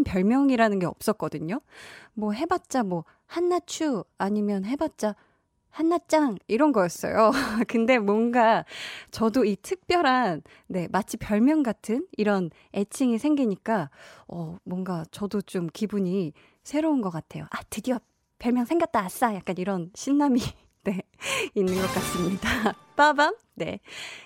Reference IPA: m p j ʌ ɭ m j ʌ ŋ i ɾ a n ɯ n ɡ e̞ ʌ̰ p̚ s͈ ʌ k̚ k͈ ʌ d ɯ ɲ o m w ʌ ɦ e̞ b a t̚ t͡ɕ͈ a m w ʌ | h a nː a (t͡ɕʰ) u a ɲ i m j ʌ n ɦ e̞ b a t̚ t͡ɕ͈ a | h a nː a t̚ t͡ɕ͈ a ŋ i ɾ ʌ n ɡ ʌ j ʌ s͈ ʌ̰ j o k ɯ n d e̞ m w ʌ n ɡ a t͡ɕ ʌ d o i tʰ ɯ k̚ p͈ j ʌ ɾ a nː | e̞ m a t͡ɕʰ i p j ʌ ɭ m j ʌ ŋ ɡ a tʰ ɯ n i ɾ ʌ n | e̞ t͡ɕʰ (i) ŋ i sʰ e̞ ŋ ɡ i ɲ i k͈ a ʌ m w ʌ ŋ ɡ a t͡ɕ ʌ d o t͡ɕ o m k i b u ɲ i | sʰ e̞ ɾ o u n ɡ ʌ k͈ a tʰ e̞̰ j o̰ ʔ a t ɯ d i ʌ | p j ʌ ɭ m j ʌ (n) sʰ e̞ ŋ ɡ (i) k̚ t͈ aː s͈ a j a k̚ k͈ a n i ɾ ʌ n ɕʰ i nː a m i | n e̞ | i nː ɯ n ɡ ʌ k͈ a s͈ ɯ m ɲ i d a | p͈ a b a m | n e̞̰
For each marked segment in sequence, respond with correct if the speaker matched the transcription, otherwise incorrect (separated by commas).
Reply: correct, correct, incorrect, incorrect